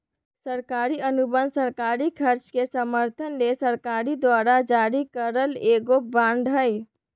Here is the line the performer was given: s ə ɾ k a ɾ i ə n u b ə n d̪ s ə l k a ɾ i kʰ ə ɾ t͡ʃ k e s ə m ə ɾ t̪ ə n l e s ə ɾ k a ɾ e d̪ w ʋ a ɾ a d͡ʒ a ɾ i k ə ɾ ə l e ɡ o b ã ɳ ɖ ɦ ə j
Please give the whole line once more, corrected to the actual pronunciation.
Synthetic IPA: s ə ɾ k a ɾ i ə n u b ə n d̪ s ə ɾ k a ɾ i kʰ ə ɾ t͡ʃ k e s ə m ə ɾ t̪ʰ ə n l e s ə ɾ k a ɾ i d̪ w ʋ a ɾ a d͡ʒ a ɾ i k ə ɾ ə l e ɡ o b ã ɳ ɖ ɦ ə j